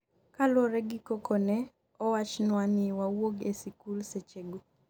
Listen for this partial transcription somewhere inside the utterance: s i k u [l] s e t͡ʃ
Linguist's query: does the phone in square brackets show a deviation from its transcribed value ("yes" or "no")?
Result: no